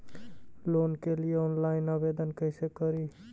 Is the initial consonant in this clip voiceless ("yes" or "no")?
no